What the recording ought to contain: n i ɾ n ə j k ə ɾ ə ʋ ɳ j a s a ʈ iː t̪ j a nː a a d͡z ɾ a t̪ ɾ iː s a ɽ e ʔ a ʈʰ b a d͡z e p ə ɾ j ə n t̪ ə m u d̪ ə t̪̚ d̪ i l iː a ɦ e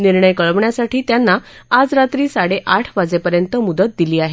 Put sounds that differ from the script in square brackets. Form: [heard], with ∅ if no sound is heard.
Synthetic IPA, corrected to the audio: n i ɾ [ɳ] ə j k ə [ɭ] ə ʋ ɳ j a s a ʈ iː t̪ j a nː a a d͡z ɾ a t̪ ɾ iː s a ɽ e ʔ a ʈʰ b a d͡z e p ə ɾ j ə n t̪ ə m u d̪ ə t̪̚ d̪ i l iː a ɦ e